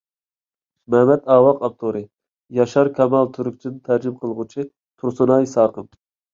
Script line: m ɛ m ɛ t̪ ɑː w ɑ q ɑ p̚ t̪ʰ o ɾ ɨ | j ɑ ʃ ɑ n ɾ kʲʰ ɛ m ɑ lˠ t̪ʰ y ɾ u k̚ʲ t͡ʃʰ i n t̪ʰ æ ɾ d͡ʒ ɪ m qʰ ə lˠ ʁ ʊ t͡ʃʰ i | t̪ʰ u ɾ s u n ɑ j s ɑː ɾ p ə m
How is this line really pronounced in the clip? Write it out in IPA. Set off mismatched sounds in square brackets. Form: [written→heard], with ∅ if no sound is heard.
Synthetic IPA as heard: m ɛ m ɛ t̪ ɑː w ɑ q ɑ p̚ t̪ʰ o ɾ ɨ | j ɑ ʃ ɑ [n→∅] ɾ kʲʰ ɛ m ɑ lˠ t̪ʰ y ɾ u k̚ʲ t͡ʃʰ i n t̪ʰ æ ɾ d͡ʒ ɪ m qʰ ə lˠ ʁ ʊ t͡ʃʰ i | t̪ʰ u ɾ s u n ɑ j s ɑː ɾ [p→q] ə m